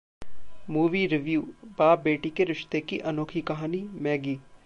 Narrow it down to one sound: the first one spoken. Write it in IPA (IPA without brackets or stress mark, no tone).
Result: m